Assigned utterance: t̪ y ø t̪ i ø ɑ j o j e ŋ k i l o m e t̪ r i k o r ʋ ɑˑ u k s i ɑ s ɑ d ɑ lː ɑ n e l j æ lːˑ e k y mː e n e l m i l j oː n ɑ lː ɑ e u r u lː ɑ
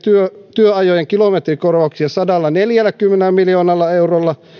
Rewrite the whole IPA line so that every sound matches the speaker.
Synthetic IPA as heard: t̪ y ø t̪ y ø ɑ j o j e ŋ k i l o m e t̪ r i k o r ʋ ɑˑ u k s i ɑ s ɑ d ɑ lː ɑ n e l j æ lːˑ æ k y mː e n e l m i l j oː n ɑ lː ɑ e u r o lː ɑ